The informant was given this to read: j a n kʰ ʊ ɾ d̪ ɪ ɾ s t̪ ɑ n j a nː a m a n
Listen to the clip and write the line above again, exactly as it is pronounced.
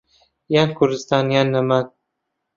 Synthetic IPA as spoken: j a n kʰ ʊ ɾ d̪ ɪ s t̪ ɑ n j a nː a m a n